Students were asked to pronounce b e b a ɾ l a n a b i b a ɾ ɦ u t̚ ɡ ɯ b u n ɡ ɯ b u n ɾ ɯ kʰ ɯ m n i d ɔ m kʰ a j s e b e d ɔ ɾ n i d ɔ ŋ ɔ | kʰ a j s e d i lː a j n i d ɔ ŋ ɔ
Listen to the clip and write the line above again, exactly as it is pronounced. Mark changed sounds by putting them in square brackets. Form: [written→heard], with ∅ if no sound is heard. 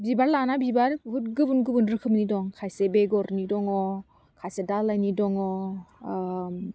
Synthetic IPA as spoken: b [e→i] b a ɾ l a n a b i b a ɾ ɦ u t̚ ɡ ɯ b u n ɡ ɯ b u n ɾ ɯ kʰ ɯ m n i d ɔ [m→ŋ] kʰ a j s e b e [d→ɡ] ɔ ɾ n i d ɔ ŋ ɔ | kʰ a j s e d [i→a] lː a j n i d ɔ ŋ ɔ